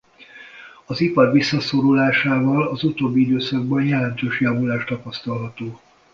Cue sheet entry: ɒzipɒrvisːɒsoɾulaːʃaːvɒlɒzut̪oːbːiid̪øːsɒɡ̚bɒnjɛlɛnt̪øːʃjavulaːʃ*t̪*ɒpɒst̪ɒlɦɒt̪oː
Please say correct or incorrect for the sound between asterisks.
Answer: correct